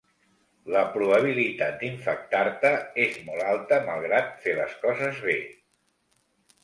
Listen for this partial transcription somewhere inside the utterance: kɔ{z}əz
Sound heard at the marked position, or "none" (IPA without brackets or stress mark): z